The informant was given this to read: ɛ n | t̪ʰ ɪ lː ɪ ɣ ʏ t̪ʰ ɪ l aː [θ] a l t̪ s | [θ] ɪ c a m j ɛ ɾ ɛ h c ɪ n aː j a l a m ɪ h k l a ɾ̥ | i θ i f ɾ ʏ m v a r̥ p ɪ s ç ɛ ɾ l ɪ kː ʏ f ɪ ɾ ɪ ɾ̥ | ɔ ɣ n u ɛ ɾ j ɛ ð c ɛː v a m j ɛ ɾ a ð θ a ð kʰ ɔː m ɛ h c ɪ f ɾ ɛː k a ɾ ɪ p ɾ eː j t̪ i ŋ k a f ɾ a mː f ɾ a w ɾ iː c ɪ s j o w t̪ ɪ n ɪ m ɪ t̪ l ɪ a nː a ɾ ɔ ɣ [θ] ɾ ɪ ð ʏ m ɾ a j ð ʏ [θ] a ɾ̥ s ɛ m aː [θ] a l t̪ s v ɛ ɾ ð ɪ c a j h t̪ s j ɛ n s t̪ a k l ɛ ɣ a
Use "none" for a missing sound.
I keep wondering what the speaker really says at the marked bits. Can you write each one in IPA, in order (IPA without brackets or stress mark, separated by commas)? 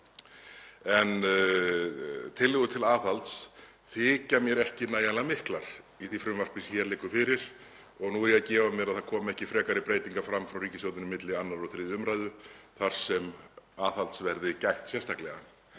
θ, θ, θ, θ, θ